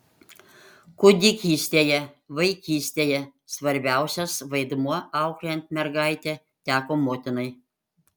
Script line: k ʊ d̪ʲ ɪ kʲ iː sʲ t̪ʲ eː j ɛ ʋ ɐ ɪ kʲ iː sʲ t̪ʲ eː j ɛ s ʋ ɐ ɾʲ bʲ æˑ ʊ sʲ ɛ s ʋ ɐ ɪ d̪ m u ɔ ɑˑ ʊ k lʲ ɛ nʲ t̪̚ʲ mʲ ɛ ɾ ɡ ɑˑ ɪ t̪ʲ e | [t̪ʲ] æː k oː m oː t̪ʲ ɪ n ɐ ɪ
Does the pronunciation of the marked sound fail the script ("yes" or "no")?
no